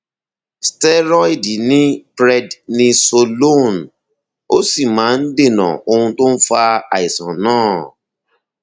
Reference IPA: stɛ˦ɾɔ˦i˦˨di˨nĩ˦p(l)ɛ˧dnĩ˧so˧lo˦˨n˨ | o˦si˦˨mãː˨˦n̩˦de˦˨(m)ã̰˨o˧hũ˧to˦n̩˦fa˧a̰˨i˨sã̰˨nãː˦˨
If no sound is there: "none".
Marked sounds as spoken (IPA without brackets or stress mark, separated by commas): ɾ, n